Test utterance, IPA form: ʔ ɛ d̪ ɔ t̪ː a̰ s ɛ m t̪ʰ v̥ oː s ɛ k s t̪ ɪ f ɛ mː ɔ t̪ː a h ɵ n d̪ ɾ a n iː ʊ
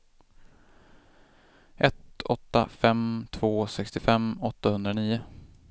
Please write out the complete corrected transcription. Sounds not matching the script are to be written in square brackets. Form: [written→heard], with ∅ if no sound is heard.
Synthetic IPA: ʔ ɛ [d̪→t̪] ɔ t̪ː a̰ [s→f] ɛ m t̪ʰ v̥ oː s ɛ k s t̪ ɪ f ɛ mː ɔ t̪ː a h ɵ n d̪ ɾ a n iː ʊ